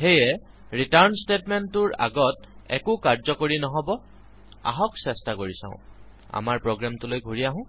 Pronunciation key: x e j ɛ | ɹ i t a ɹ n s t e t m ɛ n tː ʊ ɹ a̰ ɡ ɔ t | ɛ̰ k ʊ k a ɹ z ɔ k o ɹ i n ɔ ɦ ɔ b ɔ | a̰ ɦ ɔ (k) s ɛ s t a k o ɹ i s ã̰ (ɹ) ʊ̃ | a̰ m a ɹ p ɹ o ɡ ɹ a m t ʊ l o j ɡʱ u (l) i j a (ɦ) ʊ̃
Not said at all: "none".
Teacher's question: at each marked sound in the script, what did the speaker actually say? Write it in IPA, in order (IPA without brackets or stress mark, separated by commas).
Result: k, none, ɹ, ɦ